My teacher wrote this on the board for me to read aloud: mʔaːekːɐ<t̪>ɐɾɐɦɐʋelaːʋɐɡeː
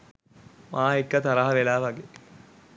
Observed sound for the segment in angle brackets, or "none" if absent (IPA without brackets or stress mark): t̪